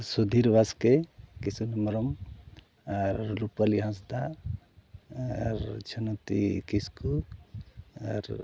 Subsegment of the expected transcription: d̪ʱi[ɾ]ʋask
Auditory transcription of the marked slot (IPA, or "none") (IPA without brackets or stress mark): ɾ